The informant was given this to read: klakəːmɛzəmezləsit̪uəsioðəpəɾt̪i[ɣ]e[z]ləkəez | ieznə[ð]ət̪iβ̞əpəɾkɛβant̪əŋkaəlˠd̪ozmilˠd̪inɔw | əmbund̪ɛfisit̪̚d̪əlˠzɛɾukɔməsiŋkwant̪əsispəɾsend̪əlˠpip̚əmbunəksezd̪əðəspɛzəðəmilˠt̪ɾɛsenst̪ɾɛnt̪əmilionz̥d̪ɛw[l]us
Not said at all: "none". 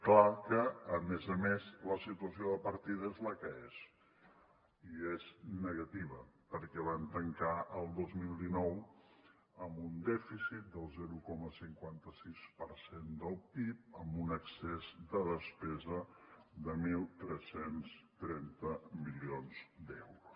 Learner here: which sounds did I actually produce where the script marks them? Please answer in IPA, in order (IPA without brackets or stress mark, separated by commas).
ð, z, ɣ, ɾ